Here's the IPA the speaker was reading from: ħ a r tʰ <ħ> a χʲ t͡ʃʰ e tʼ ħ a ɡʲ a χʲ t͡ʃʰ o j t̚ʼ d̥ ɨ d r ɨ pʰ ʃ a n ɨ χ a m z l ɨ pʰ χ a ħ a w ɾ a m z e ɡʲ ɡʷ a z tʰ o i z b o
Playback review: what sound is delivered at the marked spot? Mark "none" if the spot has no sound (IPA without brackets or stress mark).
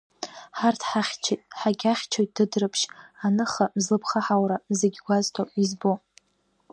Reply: ħ